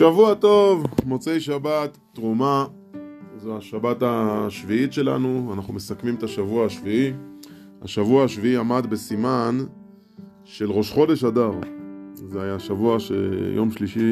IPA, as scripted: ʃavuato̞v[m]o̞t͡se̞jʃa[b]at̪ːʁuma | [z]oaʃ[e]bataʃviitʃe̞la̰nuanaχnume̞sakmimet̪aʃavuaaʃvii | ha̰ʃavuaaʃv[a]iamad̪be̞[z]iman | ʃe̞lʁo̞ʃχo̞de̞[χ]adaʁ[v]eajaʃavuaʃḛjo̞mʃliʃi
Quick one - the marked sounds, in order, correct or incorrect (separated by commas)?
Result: correct, correct, correct, incorrect, incorrect, incorrect, incorrect, incorrect